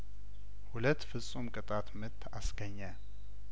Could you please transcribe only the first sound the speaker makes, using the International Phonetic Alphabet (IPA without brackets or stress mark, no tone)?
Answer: h